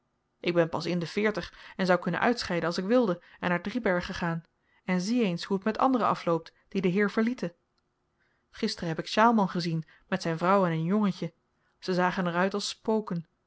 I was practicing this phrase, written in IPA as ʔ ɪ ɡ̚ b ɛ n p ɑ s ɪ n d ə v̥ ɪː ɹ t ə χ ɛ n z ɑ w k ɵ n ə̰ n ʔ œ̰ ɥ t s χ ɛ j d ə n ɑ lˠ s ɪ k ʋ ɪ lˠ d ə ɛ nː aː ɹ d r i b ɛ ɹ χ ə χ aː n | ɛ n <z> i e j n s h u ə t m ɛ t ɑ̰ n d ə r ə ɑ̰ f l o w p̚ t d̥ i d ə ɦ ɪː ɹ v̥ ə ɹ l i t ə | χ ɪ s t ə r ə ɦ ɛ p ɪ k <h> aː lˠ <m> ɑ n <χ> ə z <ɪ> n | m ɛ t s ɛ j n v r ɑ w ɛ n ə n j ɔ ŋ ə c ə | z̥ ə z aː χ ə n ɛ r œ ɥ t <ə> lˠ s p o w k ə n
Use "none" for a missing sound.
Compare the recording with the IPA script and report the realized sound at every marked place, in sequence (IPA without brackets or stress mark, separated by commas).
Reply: z, ʃ, m, χ, i, ɑ